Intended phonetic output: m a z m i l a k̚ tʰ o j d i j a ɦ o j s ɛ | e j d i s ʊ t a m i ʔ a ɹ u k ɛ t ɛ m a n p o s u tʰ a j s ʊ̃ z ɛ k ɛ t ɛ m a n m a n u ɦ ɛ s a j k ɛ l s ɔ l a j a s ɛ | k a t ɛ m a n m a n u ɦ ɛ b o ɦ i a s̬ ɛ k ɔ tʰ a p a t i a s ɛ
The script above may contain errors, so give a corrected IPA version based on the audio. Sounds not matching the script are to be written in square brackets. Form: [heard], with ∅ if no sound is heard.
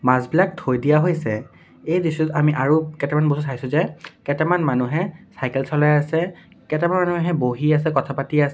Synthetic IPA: m a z [b] i l a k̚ tʰ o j d i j a ɦ o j s ɛ | e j d i s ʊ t a m i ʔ a ɹ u k ɛ t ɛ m a n [b] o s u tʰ a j s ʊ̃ z ɛ k ɛ t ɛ m a n m a n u ɦ ɛ s a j k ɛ l s ɔ l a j a s ɛ | k [ɛ] t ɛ m a n m a n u ɦ ɛ b o ɦ i a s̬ ɛ k ɔ tʰ a p a t i a s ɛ